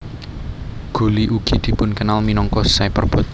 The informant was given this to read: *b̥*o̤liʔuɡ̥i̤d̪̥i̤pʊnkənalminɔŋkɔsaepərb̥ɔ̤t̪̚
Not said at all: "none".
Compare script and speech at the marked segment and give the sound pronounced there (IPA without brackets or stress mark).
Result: ɡ̥